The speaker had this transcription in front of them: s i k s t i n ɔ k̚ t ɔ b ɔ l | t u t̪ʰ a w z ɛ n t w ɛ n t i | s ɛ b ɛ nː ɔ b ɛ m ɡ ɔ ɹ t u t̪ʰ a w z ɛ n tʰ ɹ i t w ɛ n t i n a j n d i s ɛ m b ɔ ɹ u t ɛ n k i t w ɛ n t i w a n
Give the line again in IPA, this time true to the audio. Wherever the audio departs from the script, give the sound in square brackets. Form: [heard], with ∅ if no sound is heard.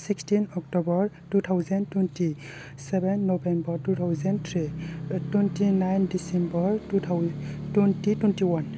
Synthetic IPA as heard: s i k s t i n ɔ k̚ t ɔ b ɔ [ɹ] | t u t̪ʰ a w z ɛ n t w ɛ n t i | s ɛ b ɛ nː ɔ b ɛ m [b] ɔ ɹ t u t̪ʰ a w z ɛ n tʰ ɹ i t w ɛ n t i n a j n d i s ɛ m b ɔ ɹ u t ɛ n [t] i t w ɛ n t i w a n